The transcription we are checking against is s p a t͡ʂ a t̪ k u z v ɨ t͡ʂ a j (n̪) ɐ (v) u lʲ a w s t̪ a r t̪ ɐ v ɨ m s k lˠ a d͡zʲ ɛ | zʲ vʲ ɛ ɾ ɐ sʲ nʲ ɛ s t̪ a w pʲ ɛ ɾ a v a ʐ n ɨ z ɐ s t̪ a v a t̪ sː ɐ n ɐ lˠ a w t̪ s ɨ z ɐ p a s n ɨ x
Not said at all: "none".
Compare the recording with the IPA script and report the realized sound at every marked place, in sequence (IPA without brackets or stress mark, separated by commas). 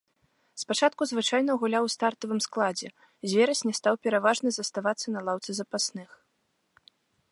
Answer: n̪, ɣ